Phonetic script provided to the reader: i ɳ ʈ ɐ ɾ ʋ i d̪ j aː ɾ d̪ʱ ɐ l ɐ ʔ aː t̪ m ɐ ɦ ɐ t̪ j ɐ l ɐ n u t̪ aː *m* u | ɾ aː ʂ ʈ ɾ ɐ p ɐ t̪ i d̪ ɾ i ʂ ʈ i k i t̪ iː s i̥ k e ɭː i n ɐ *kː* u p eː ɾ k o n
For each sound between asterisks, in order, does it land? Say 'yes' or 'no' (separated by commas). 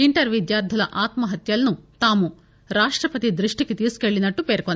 yes, no